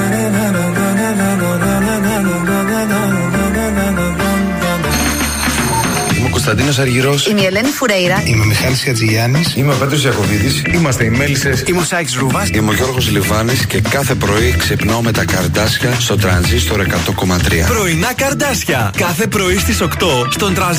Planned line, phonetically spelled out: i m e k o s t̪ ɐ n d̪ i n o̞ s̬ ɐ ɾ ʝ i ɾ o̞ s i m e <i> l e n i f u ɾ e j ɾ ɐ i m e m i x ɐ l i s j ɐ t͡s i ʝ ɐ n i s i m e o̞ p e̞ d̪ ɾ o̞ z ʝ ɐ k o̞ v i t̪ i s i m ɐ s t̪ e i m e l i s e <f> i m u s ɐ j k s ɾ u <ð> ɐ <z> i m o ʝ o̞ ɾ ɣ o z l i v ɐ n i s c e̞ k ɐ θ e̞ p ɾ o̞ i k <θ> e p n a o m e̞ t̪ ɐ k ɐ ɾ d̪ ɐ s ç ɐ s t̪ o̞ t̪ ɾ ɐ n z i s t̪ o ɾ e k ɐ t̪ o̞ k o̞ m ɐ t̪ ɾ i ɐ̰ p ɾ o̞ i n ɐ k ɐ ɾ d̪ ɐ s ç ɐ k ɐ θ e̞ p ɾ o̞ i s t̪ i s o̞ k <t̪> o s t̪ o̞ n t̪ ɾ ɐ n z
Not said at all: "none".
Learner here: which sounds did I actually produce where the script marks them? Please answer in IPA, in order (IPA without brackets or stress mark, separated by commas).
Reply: e, s, v, s, s, t̪